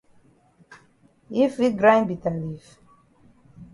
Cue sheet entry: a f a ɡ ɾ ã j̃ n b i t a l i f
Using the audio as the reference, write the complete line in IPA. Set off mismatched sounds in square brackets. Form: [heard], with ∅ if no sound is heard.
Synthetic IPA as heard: [i] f [i] ɡ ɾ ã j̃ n b i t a l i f